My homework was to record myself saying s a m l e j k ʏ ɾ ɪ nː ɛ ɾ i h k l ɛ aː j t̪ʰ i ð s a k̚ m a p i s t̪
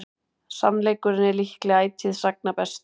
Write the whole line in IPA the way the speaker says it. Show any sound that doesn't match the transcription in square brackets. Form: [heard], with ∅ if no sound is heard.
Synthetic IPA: s a m l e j k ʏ ɾ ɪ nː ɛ [l] i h k l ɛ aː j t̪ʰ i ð s a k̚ [n] a p [ɛ] s t̪